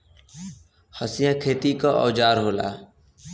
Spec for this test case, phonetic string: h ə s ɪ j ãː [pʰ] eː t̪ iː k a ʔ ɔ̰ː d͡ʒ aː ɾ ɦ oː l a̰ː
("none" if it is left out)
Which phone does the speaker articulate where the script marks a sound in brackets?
kʰ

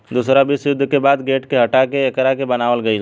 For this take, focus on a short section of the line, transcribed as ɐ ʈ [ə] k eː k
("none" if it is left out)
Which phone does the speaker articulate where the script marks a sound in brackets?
a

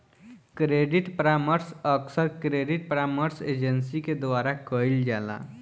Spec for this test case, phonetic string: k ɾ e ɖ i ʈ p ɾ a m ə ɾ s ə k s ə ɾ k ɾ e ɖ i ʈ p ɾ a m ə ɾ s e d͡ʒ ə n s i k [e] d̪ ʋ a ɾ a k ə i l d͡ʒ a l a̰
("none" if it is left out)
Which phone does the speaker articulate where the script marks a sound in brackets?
e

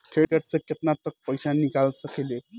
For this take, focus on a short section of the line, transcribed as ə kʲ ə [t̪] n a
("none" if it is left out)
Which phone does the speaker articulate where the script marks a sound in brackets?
t̪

